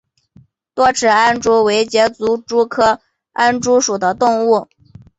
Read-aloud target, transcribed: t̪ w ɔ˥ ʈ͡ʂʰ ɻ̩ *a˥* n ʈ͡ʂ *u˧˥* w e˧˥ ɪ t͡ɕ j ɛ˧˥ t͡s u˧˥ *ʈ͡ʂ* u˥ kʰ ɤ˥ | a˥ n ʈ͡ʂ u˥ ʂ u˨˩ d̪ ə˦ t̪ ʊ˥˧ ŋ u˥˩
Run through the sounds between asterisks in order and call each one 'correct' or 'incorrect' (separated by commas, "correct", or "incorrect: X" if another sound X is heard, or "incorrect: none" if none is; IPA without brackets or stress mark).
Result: correct, incorrect: u˥, correct